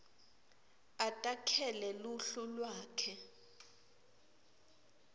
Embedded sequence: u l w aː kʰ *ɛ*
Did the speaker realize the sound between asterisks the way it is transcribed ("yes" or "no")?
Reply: yes